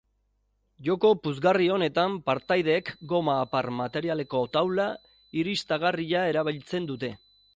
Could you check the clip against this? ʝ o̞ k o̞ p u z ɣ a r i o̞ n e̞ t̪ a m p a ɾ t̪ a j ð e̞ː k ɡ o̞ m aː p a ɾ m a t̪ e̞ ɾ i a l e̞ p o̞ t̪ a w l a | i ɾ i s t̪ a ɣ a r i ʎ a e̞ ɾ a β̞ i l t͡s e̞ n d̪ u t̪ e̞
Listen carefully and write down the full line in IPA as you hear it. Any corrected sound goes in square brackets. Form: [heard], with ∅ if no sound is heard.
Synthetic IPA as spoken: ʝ o̞ k o̞ p u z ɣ a r i o̞ n e̞ t̪ a m p a ɾ t̪ a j ð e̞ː k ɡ o̞ m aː p a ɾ m a t̪ e̞ ɾ i a l e̞ [k] o̞ t̪ a w l a | i ɾ i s t̪ a ɣ a r i ʎ a e̞ ɾ a β̞ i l t͡s e̞ n d̪ u t̪ e̞